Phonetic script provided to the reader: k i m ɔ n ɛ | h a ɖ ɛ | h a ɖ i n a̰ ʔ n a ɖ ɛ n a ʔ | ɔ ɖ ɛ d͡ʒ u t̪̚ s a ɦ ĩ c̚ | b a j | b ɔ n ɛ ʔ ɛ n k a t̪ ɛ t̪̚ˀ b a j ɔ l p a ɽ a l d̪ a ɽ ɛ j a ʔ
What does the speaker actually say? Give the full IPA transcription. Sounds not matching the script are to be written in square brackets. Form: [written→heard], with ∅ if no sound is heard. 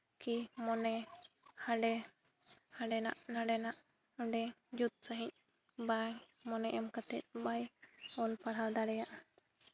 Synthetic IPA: k i m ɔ n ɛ | h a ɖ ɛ | h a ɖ [i→ɛ] n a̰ ʔ n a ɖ ɛ n a ʔ | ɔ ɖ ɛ d͡ʒ u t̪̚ s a ɦ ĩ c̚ | b a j | [b→m] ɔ n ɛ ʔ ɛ [n→m] k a t̪ ɛ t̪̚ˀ b a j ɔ l p a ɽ a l d̪ a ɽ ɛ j a ʔ